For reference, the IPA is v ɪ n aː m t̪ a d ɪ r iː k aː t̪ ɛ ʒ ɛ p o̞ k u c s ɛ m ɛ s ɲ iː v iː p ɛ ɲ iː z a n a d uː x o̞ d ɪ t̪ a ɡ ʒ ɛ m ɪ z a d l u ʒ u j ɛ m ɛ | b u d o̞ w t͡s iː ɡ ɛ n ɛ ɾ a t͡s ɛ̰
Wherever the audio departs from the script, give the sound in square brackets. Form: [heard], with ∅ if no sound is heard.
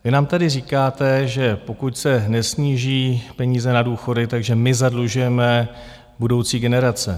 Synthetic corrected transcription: v ɪ n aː m t̪ a d ɪ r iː k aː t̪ ɛ ʒ ɛ p o̞ k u c s ɛ [n] ɛ s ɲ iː [ʒ] iː p ɛ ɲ iː z [ɛ] n a d uː x o̞ d ɪ t̪ a ɡ ʒ ɛ m ɪ z a d l u ʒ u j ɛ m ɛ | b u d o̞ w t͡s iː ɡ ɛ n ɛ ɾ a t͡s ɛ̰